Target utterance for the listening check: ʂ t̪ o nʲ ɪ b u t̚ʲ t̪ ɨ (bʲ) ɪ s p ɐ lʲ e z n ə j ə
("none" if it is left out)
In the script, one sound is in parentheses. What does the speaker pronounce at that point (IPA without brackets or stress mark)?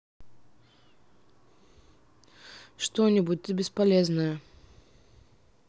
bʲ